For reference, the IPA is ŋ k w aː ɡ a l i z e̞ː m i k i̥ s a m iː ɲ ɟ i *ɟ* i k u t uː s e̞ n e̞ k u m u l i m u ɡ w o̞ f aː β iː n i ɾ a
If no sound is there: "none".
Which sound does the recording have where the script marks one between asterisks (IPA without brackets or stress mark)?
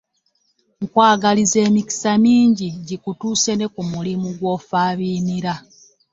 ɟ